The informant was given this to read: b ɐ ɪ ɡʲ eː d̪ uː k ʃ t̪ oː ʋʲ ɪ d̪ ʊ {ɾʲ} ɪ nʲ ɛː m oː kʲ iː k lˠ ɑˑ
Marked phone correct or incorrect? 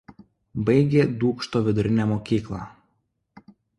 correct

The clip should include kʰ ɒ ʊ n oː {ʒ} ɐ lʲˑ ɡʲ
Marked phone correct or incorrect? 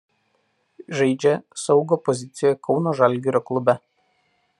correct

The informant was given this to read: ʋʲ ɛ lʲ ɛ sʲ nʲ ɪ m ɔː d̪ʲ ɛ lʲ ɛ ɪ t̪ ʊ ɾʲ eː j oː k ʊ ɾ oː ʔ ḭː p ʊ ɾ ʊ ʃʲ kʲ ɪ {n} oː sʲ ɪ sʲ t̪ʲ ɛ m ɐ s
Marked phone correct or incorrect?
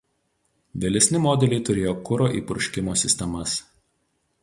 incorrect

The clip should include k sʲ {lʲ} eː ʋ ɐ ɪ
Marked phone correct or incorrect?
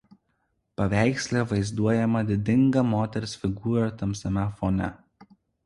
correct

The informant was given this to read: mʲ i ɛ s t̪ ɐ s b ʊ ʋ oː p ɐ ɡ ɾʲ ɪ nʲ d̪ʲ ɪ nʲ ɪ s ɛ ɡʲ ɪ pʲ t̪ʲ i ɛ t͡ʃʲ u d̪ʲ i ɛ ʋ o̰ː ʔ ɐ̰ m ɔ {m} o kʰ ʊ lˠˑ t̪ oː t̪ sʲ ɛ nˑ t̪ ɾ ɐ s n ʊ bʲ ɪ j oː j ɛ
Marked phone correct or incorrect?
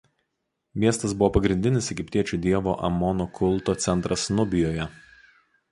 incorrect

